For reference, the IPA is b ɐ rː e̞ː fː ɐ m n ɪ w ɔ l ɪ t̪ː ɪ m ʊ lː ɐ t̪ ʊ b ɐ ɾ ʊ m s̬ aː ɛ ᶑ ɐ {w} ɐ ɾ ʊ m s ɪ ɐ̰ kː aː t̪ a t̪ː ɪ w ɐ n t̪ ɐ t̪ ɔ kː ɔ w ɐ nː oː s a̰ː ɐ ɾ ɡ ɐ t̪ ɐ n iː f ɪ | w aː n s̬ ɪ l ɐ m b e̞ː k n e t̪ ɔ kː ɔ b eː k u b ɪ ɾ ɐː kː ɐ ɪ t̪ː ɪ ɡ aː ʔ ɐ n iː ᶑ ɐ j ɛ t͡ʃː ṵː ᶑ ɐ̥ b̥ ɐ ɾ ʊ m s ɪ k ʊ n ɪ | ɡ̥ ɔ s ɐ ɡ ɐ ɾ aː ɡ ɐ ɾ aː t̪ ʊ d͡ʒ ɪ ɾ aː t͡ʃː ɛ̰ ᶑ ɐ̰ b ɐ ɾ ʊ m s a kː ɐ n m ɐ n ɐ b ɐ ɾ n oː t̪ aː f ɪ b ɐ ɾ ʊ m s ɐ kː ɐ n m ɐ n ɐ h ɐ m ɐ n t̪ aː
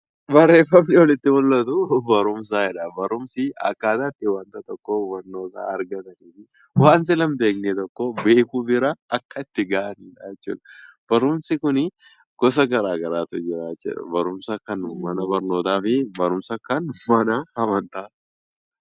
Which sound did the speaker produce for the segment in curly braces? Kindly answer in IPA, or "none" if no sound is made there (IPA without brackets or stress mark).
b